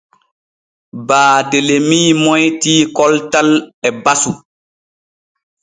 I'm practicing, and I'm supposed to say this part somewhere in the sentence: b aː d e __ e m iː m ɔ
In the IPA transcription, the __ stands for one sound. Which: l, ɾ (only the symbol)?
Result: l